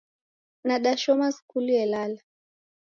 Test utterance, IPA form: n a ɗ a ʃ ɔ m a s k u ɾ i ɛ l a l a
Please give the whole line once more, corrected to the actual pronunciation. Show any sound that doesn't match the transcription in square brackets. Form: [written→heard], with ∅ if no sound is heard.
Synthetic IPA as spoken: n a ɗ a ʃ ɔ m a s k u [ɾ→l] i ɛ l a l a